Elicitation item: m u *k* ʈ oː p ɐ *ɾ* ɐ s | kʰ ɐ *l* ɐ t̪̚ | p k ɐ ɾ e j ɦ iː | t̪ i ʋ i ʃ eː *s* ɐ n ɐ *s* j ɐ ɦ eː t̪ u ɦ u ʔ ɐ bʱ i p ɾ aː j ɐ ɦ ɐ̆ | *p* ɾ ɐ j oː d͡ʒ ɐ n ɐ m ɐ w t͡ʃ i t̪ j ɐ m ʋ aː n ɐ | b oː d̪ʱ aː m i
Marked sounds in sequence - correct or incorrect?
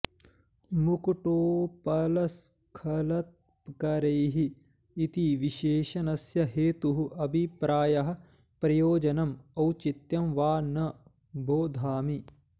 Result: correct, incorrect, correct, incorrect, correct, correct

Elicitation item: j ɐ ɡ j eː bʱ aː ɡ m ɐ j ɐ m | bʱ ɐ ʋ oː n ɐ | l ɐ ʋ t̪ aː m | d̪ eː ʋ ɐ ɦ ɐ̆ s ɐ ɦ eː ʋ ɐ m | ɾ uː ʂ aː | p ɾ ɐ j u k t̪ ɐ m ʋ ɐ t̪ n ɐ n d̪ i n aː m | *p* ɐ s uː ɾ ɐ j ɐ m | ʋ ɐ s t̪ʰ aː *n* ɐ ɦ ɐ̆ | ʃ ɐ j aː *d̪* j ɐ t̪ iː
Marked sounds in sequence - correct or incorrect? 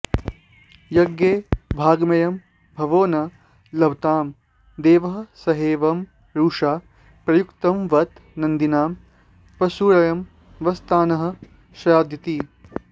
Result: correct, correct, correct

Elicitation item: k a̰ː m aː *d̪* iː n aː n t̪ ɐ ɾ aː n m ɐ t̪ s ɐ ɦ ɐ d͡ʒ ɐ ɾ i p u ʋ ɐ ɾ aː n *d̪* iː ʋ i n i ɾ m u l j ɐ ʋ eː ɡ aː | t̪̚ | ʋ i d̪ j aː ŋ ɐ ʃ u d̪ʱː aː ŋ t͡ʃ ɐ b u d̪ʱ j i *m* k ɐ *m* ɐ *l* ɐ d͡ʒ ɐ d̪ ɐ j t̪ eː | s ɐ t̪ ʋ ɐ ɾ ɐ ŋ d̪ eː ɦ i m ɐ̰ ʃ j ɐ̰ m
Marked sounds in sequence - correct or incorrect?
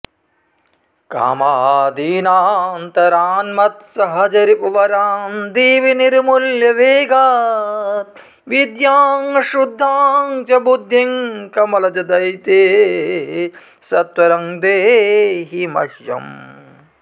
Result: correct, correct, incorrect, correct, correct

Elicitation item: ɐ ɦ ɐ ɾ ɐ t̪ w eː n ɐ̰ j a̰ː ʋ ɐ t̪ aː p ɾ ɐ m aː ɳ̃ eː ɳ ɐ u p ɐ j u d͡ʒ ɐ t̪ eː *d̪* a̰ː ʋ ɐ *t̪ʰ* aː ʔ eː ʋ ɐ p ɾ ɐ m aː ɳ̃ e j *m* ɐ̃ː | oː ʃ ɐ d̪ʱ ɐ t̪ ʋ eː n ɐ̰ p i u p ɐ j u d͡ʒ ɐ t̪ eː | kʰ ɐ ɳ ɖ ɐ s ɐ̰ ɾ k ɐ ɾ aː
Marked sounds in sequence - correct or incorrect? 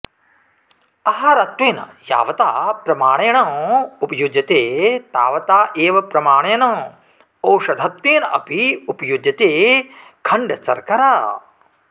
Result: incorrect, incorrect, incorrect

